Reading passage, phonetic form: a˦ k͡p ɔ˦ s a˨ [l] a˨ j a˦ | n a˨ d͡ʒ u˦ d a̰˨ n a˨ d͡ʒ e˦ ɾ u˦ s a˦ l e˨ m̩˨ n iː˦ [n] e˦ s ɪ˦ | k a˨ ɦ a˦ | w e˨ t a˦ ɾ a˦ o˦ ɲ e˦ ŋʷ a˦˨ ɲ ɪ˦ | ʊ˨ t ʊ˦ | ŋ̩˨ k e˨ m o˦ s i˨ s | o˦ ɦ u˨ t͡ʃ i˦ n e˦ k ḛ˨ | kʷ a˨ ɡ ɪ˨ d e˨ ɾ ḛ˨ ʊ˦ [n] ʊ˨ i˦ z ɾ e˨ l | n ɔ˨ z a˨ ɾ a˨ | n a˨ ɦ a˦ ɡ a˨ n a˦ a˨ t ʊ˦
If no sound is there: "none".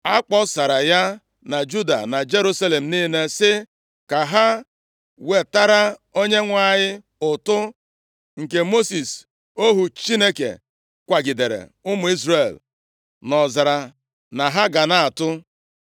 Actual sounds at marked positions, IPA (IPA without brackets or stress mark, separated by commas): ɾ, n, m